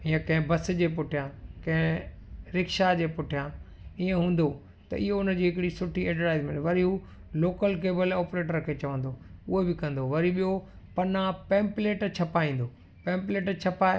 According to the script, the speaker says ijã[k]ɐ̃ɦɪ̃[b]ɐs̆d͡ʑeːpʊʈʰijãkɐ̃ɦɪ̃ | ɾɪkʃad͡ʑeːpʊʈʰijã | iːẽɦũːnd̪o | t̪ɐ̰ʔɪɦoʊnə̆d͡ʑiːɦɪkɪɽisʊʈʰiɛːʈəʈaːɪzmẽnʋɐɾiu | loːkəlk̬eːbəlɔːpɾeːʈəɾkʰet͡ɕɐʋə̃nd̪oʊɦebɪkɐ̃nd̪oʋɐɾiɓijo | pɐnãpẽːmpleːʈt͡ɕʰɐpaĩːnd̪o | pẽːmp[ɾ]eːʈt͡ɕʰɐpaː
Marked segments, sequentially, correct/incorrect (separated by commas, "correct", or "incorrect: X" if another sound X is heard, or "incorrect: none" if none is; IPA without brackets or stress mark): correct, correct, incorrect: l